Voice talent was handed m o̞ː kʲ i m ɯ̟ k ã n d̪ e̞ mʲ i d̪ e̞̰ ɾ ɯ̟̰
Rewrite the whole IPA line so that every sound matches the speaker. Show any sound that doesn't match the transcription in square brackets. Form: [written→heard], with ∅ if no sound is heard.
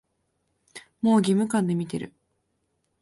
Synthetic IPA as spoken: m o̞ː [kʲ→ɡʲ] i m ɯ̟ k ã n d̪ e̞ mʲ i [d̪→t̪] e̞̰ ɾ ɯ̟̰